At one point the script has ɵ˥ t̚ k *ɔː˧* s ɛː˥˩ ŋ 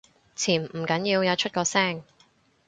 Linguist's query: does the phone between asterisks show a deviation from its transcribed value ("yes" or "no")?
no